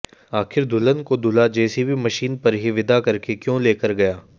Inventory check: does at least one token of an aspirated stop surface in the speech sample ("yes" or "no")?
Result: no